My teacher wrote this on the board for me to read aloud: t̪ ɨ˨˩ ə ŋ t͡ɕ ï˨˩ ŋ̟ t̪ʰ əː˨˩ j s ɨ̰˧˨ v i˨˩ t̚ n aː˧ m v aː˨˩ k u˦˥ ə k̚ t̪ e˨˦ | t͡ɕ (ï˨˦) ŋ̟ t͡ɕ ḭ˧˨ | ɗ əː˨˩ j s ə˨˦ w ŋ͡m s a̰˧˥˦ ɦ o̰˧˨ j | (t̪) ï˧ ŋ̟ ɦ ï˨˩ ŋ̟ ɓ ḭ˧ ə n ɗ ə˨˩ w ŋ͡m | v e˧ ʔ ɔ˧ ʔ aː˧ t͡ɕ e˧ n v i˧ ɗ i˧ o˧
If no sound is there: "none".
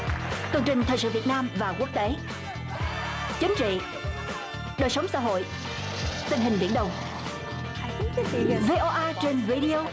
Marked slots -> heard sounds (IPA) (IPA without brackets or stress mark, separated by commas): ï˨˦, t̪